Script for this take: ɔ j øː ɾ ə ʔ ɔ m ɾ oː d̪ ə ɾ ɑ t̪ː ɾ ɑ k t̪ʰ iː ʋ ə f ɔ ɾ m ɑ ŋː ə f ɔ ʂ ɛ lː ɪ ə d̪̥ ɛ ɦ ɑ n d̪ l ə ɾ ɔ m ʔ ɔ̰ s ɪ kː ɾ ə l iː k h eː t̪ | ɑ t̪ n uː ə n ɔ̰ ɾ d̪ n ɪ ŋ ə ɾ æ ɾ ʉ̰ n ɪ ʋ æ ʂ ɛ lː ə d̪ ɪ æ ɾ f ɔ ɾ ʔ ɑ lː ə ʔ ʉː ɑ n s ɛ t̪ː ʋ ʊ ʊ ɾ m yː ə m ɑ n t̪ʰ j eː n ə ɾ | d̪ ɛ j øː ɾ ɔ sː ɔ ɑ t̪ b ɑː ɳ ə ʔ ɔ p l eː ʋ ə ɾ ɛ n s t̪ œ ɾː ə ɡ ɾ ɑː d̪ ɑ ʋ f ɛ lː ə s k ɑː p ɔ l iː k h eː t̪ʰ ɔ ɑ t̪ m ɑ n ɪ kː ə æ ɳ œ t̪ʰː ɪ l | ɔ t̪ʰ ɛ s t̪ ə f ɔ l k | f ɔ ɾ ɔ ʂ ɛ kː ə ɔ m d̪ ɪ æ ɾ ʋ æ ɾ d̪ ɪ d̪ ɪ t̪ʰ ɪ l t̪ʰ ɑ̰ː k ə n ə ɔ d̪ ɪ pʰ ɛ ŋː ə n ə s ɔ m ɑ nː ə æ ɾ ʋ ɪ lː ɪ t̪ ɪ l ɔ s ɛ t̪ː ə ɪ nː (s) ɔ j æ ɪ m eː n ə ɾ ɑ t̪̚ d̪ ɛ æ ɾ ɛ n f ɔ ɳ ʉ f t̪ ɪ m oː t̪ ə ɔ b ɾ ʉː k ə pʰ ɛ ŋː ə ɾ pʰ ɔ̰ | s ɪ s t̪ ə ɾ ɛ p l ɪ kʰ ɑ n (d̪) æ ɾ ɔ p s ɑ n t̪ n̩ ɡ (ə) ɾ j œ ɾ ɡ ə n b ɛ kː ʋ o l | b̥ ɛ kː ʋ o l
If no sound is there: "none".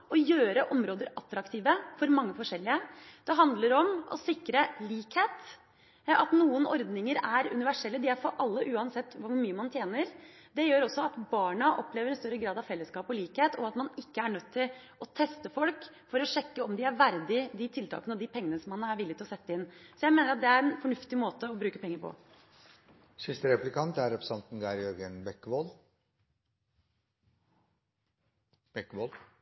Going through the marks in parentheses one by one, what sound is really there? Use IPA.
s, t̪, ɑ

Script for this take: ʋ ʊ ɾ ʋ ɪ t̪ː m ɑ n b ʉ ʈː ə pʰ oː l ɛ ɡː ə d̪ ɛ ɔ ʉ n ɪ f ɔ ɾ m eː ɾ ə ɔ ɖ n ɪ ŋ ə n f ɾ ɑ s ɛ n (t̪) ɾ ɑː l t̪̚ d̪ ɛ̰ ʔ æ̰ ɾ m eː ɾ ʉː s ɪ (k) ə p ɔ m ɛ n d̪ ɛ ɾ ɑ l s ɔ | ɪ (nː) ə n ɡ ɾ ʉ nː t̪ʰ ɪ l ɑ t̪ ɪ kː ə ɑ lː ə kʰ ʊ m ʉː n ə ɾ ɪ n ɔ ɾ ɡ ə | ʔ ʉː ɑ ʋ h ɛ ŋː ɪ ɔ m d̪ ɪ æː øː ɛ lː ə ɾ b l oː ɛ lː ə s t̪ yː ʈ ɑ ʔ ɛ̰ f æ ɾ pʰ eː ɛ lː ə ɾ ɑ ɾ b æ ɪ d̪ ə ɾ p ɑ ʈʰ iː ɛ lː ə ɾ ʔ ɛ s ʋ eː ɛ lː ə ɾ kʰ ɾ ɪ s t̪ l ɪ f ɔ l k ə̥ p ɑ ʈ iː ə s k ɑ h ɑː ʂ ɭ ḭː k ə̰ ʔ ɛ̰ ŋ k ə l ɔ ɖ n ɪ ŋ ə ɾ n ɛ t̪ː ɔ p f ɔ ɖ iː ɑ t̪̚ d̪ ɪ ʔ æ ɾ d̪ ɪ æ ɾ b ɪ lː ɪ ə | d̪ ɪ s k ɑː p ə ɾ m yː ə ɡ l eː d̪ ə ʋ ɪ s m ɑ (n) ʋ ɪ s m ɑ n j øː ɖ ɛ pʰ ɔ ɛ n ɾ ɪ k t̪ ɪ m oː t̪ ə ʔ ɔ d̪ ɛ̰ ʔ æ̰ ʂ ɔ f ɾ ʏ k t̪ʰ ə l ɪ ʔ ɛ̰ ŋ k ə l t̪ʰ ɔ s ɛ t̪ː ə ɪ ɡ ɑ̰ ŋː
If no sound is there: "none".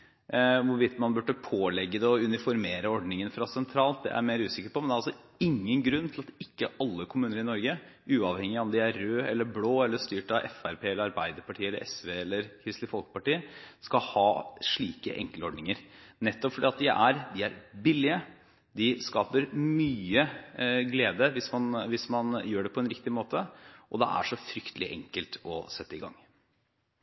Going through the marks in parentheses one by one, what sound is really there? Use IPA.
t̪ʰ, k, ŋː, n

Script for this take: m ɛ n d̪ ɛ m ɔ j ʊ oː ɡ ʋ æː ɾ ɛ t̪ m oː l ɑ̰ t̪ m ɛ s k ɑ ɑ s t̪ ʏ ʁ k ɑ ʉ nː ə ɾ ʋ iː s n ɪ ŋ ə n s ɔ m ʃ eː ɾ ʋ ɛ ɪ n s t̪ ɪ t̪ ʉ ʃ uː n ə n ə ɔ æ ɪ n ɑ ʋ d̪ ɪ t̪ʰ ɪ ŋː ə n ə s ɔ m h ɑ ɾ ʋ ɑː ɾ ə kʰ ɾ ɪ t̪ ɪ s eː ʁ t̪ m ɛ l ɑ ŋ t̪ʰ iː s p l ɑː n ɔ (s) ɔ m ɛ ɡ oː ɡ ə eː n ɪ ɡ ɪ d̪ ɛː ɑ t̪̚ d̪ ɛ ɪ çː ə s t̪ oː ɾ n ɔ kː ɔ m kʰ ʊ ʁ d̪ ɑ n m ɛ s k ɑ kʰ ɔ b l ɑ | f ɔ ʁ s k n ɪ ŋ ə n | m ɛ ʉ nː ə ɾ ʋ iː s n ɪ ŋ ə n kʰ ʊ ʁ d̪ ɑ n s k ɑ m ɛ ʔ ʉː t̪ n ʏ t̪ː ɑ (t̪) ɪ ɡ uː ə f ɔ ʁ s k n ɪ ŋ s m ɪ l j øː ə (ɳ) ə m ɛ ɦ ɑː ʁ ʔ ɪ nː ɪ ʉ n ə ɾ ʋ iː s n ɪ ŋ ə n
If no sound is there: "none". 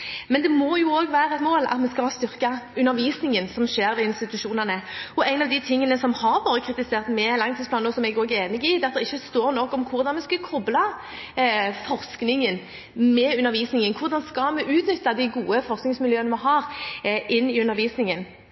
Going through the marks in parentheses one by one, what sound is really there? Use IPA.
s, d̪, n

